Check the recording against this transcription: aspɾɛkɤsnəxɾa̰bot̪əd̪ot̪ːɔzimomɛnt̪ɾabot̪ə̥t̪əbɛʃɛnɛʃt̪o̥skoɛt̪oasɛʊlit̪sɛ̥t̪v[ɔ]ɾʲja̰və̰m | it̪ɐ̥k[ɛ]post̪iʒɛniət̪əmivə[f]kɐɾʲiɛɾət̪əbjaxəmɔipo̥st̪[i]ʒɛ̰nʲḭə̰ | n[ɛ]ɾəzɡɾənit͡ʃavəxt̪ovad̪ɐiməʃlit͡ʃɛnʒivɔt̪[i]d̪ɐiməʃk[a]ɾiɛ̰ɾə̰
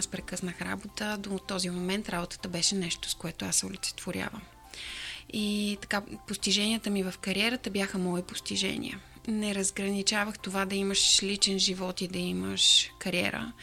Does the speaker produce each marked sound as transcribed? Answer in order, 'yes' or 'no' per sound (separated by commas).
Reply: no, no, yes, yes, yes, yes, no